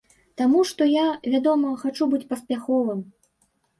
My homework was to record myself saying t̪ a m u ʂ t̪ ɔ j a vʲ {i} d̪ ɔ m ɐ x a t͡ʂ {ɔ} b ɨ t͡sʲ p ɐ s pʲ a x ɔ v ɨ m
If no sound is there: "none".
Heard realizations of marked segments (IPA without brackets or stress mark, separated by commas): a, u